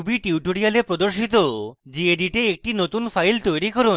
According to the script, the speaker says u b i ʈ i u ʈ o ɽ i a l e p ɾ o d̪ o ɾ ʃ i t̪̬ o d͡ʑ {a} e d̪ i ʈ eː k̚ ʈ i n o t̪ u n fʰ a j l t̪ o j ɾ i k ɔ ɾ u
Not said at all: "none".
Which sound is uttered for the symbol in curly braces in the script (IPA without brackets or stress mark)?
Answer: i